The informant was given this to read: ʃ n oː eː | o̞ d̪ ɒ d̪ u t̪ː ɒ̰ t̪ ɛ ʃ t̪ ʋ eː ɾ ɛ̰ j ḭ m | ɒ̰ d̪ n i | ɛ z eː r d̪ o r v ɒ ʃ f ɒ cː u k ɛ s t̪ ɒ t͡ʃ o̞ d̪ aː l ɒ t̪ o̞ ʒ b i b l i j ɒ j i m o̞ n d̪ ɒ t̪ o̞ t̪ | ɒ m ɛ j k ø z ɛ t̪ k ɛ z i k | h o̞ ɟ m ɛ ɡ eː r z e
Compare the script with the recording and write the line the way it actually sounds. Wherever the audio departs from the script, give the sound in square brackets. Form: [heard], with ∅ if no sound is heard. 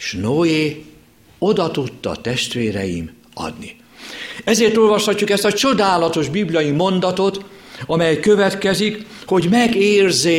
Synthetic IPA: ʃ n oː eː | o̞ d̪ ɒ [t̪] u t̪ː ɒ̰ t̪ ɛ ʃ t̪ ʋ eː ɾ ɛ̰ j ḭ m | ɒ̰ d̪ n i | ɛ z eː r [t̪] o [l] v ɒ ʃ [h] ɒ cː u k ɛ s t̪ ɒ t͡ʃ o̞ d̪ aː l ɒ t̪ o̞ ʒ b i b l i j ɒ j i m o̞ n d̪ ɒ t̪ o̞ t̪ | ɒ m ɛ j k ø [v] ɛ t̪ k ɛ z i k | h o̞ ɟ m ɛ ɡ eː r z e